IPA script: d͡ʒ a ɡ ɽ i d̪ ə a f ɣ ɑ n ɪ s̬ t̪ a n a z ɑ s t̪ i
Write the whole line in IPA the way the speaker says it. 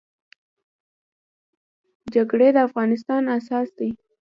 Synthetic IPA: d͡ʒ a ɡ ɽ e d̪ ə a f ɣ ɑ n ɪ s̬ t̪ ɑ n a s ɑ s d̪ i